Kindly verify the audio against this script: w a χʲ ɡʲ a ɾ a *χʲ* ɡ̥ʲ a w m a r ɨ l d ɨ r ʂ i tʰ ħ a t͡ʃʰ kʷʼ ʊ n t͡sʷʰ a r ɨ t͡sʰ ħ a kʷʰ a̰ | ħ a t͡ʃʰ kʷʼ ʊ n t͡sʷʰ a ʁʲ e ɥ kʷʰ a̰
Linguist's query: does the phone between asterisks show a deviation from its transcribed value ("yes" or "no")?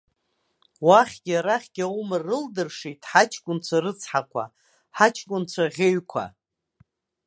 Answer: no